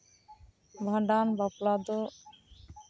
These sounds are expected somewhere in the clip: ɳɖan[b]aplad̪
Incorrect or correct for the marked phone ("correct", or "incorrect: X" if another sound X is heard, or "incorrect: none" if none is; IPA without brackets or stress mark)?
correct